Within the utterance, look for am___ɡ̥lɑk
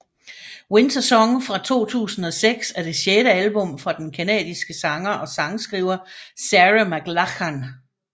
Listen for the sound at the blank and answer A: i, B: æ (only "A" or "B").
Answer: B